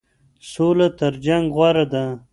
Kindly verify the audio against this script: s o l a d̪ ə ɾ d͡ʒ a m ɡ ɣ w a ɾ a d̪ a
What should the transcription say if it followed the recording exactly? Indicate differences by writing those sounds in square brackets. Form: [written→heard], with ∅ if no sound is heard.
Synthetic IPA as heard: s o l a [d̪→t̪] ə ɾ d͡ʒ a [m→ŋ] ɡ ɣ w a ɾ a d̪ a